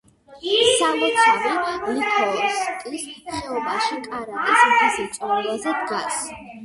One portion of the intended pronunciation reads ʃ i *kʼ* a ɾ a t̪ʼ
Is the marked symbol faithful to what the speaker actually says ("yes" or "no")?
yes